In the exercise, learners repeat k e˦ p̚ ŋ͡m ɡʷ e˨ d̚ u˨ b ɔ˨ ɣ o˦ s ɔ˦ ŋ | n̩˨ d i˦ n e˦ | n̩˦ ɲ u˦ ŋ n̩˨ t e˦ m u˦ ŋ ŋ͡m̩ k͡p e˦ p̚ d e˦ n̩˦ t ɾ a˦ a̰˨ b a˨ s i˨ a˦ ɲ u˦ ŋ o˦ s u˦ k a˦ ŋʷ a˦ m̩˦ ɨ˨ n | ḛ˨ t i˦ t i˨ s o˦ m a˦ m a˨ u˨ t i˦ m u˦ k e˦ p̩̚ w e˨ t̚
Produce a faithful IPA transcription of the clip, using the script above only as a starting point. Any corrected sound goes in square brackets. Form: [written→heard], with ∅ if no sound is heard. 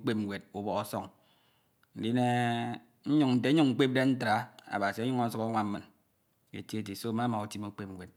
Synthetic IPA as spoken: [k→k͡p] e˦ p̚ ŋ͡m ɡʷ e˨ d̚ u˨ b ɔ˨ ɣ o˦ s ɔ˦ ŋ | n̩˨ d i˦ n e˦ | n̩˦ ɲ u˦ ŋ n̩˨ t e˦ [m→ɲ] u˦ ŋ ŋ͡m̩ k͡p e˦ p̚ d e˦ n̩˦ t ɾ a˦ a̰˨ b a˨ s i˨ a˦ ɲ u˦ ŋ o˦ s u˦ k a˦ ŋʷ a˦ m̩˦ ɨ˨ n | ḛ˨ t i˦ t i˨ s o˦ m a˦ m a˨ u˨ t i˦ m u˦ [k→k͡p] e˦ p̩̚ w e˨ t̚

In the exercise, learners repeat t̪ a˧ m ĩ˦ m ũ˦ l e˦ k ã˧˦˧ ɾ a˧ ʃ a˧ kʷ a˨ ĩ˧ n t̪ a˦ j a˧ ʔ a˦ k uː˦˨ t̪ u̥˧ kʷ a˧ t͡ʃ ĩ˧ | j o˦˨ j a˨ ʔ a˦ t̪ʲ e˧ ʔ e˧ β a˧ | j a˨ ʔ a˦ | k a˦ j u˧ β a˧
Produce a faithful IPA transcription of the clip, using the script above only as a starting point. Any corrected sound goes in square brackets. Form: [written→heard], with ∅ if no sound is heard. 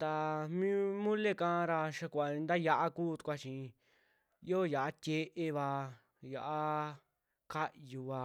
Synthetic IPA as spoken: t̪ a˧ m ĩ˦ m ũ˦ l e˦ k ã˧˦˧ ɾ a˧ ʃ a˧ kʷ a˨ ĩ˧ n [t̪→d̪] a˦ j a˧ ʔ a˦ k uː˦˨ t̪ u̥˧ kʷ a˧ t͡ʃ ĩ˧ | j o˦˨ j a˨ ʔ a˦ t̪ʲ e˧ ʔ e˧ β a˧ | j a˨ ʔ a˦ | k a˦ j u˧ β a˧

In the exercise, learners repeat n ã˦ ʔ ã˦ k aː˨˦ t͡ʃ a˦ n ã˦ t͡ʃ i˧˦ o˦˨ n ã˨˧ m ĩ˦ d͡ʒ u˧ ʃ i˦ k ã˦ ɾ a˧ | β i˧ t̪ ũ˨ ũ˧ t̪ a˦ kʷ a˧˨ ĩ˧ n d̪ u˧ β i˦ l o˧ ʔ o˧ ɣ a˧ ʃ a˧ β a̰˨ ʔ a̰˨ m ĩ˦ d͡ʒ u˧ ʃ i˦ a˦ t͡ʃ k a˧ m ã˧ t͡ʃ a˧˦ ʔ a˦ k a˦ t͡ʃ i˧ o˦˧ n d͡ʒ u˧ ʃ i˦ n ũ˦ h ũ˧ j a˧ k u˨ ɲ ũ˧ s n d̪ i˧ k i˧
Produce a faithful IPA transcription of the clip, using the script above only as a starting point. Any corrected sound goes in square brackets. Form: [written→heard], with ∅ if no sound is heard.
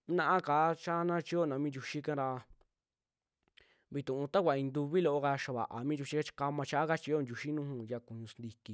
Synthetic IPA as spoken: n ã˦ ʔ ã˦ k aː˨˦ t͡ʃ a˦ n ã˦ t͡ʃ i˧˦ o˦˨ n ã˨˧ m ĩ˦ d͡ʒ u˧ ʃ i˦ k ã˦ ɾ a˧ | β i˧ t̪ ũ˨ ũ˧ t̪ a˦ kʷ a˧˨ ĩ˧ n d̪ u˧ β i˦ l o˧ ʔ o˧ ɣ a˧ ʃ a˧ β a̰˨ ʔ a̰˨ m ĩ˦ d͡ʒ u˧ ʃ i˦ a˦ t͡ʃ k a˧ m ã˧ t͡ʃ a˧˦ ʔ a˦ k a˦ t͡ʃ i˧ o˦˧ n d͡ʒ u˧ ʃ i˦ n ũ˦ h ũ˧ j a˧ k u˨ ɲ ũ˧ s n d̪ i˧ k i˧

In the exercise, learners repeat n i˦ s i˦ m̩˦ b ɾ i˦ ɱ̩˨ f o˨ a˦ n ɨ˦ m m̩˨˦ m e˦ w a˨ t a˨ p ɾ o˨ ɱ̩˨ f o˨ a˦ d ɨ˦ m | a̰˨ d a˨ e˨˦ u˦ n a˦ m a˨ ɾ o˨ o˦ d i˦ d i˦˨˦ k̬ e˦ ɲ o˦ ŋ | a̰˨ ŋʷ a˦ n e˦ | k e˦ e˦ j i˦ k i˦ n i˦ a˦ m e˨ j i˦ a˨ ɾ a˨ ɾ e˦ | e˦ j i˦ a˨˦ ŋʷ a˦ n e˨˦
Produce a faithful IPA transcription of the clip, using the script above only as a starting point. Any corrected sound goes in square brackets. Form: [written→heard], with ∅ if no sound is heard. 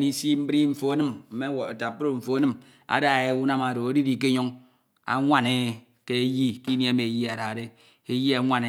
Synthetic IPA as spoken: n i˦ s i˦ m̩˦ b ɾ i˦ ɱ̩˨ f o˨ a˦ n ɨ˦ m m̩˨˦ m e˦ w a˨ t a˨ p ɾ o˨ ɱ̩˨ f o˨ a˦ [d→n] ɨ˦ m | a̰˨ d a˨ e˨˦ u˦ n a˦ m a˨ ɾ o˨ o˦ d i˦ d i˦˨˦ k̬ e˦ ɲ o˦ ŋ | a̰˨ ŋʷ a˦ n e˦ | k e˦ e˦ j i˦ k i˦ n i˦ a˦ m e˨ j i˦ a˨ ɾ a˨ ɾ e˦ | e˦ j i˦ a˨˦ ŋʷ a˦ n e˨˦

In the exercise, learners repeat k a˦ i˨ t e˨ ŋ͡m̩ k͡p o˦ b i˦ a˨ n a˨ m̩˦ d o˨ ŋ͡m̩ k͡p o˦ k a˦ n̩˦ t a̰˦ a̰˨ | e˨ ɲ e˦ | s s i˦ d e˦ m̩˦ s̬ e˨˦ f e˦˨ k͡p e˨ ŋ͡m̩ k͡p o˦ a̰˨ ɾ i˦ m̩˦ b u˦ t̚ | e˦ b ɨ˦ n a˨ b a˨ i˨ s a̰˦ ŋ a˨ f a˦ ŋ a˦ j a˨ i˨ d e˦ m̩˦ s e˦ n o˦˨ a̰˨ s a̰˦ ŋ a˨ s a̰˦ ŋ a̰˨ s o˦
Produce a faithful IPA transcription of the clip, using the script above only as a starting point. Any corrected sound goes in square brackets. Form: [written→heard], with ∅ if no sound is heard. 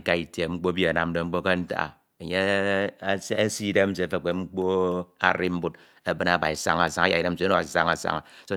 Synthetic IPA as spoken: k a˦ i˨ t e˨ ŋ͡m̩ k͡p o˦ b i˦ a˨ n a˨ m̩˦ d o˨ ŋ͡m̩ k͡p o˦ k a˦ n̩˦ t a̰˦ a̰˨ | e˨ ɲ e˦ | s s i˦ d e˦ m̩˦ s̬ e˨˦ f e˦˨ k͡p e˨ ŋ͡m̩ k͡p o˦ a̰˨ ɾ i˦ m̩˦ b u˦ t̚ | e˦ b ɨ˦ n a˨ b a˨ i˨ s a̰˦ ŋ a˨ [f→s] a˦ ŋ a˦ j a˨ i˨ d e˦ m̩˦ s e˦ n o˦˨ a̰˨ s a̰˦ ŋ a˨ s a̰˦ ŋ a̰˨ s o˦

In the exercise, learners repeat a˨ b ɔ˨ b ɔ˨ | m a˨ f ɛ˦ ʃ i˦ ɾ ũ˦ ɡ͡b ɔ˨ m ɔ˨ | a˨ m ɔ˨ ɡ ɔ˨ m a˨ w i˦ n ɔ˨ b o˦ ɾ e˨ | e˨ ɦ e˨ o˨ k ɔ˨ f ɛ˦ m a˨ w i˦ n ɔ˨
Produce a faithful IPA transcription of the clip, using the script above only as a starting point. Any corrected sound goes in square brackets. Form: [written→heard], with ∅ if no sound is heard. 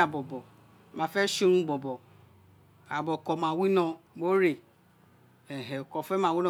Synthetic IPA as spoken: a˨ b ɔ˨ b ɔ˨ | m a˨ f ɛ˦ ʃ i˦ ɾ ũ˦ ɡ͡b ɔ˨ [m→b] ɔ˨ | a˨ [m→b] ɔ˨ [ɡ→k] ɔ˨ m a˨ w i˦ n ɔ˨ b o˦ ɾ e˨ | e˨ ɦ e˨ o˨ k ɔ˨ f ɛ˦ m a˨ w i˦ n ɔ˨

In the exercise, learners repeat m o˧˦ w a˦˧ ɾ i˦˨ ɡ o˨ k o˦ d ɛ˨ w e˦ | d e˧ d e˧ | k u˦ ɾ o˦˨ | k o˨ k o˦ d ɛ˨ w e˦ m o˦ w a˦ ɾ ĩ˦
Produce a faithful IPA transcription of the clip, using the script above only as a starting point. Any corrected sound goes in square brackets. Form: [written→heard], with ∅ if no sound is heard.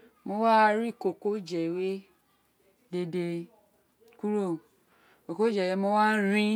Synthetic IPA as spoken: m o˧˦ w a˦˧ ɾ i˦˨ [ɡ→k] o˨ k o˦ [d→d͡ʒ] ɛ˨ w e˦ | d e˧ d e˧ | k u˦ ɾ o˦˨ | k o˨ k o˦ [d→d͡ʒ] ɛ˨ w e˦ m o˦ w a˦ ɾ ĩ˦

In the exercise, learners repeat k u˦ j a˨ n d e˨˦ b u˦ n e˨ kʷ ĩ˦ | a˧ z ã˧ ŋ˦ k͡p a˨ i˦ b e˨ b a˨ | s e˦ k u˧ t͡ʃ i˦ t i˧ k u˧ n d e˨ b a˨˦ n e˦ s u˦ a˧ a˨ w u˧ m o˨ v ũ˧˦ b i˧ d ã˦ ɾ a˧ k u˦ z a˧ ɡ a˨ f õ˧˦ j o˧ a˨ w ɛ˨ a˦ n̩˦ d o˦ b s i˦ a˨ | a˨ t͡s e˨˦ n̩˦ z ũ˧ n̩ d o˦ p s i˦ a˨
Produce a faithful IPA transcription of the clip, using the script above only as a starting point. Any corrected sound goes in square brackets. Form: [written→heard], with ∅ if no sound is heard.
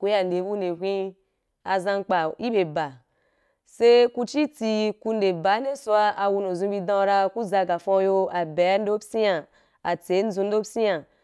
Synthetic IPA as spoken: k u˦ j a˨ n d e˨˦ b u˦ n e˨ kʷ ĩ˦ | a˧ z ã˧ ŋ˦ k͡p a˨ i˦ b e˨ b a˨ | s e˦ k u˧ t͡ʃ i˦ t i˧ k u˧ n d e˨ b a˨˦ n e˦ s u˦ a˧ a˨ w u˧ [m→n] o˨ [v→z] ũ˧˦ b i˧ d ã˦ ɾ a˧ k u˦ z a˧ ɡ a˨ f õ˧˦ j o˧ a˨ [w→b] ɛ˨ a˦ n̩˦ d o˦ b s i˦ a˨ | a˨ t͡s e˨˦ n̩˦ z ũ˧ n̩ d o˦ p s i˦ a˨

